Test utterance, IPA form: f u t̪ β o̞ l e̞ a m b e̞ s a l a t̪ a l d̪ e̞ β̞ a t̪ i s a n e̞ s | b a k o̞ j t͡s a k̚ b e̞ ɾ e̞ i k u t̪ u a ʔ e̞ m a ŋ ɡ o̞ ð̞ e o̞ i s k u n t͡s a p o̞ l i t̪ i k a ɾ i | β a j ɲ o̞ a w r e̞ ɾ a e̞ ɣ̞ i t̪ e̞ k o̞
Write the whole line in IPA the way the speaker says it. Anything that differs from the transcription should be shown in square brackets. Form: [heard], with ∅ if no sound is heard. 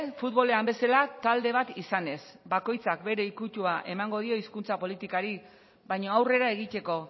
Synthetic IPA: f u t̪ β o̞ l e̞ a m b e̞ s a l a t̪ a l d̪ e̞ β̞ a t̪ i s a n e̞ s | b a k o̞ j t͡s a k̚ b e̞ ɾ e̞ i k u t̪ u a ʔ e̞ m a ŋ ɡ o̞ ð̞ [i] o̞ i s k u n t͡s a p o̞ l i t̪ i k a ɾ i | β a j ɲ o̞ a w r e̞ ɾ a e̞ ɣ̞ i t̪ e̞ k o̞